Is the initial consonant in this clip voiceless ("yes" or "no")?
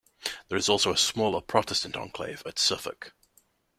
no